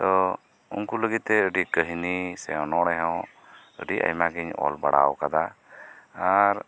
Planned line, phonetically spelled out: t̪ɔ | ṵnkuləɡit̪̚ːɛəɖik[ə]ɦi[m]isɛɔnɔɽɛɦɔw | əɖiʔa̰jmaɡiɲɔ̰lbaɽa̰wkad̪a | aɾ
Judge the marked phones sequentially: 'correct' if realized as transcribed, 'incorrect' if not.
correct, incorrect: n

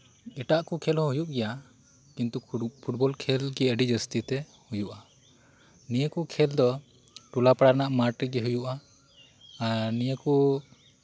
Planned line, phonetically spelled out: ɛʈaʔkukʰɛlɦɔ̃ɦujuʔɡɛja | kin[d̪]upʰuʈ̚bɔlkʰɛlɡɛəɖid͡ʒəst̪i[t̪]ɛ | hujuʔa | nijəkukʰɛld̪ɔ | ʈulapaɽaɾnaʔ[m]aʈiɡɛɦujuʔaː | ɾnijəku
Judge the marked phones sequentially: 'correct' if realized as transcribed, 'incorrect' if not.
incorrect: t̪, correct, correct

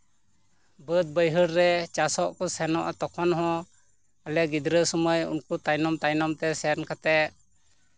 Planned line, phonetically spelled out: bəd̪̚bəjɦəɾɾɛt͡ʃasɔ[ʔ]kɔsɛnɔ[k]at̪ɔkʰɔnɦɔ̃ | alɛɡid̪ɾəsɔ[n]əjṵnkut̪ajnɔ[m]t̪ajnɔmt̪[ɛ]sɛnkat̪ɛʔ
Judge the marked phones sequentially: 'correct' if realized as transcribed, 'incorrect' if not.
correct, incorrect: ʔ, incorrect: m, correct, correct

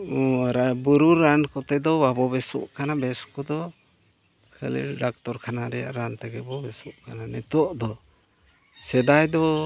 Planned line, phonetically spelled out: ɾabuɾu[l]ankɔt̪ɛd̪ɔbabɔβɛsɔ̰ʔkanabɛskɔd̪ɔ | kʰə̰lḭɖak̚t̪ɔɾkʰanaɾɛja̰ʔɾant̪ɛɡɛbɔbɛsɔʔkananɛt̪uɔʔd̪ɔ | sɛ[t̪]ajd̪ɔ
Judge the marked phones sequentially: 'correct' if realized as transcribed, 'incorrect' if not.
incorrect: ɾ, incorrect: d̪

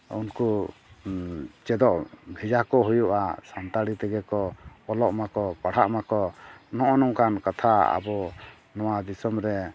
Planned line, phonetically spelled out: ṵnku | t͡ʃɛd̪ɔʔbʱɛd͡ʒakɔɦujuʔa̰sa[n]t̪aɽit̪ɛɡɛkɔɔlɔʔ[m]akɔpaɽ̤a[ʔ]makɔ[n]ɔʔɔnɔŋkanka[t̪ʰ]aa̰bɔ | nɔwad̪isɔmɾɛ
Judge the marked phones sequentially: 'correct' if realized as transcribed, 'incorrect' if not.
correct, correct, correct, correct, correct

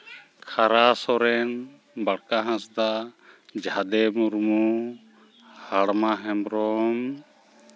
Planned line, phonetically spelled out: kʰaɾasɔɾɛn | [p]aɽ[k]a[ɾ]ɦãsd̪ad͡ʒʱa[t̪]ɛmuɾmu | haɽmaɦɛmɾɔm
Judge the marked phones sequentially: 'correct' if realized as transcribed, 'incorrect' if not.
incorrect: b, correct, incorrect: none, incorrect: d̪

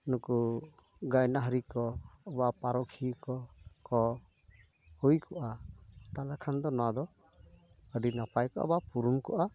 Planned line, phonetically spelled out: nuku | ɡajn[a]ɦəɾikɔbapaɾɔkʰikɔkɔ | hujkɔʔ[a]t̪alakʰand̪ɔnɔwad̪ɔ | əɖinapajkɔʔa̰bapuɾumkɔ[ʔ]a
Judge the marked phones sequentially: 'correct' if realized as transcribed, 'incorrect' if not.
correct, correct, correct

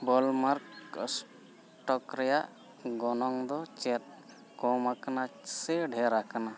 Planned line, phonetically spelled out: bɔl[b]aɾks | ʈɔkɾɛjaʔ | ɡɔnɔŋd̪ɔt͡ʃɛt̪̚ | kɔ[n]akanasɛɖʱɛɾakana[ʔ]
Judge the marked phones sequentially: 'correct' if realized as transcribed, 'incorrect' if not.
incorrect: m, incorrect: m, incorrect: none

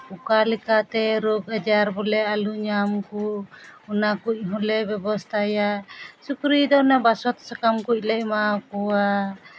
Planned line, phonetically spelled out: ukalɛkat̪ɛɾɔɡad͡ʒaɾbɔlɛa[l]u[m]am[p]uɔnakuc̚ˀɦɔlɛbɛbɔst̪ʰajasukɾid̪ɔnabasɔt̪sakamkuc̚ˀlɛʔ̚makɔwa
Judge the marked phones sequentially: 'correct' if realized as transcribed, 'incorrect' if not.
correct, incorrect: ɲ, incorrect: k

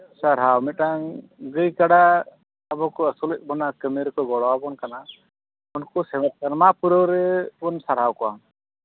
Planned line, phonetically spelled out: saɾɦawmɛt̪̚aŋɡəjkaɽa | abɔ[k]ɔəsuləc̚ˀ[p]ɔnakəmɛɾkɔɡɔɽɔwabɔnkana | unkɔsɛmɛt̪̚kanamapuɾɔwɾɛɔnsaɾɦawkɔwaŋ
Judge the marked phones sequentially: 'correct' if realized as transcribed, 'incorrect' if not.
correct, incorrect: b

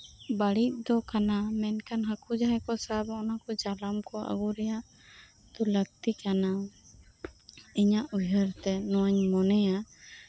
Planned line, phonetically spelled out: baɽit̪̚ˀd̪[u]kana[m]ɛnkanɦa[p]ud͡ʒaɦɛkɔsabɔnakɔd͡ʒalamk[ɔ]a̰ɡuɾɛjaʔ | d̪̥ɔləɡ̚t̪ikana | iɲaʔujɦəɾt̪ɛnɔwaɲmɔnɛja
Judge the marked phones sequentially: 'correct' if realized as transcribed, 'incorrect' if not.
incorrect: ɔ, correct, incorrect: k, correct

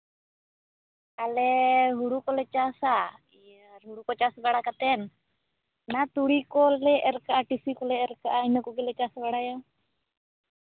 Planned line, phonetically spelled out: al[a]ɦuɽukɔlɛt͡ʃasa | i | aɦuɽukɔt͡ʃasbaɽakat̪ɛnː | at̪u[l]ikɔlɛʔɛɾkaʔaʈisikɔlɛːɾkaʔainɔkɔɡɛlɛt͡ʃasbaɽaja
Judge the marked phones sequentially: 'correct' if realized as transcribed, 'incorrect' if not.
incorrect: ɛ, incorrect: ɽ

